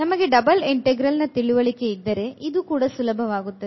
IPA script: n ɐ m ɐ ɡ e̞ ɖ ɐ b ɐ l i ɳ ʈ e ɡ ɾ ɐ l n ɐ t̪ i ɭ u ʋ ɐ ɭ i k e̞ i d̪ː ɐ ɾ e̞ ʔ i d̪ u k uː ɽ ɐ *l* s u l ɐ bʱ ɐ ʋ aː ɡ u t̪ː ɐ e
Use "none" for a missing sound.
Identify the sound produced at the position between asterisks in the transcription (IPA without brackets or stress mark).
none